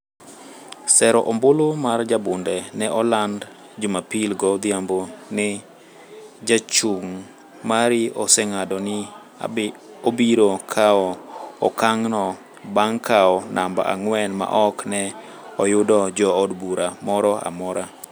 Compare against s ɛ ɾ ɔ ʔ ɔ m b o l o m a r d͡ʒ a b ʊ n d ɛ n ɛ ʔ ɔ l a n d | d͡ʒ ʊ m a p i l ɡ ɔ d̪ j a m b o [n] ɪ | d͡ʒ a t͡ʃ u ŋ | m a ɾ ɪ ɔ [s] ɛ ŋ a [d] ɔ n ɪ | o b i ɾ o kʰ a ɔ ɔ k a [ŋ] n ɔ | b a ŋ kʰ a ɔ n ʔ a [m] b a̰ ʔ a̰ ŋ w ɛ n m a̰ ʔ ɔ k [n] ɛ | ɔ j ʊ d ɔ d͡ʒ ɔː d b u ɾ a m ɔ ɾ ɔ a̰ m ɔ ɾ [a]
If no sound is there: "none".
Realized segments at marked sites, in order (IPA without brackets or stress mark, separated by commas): n, s, d, ŋ, m, n, a